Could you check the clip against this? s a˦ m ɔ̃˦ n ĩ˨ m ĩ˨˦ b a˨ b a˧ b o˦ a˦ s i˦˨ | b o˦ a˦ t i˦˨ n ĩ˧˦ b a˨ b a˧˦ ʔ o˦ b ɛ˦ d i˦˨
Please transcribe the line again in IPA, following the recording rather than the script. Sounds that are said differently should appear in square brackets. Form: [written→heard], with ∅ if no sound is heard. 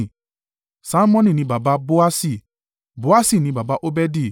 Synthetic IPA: s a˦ m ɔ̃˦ n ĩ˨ [m→n] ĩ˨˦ b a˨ b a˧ b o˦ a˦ s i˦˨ | b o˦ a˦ [t→s] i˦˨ n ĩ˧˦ b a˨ b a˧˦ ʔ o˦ b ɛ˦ d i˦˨